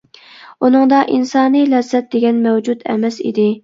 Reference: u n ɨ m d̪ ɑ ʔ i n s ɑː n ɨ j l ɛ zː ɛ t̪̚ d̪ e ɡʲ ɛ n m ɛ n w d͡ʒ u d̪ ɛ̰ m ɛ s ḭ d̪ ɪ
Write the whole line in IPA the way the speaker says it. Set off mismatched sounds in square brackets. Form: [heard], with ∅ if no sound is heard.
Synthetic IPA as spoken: u n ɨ [ŋ] d̪ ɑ ʔ i n s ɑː n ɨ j l ɛ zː ɛ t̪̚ d̪ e ɡʲ ɛ n m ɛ [∅] w d͡ʒ u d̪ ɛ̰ m ɛ s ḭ d̪ ɪ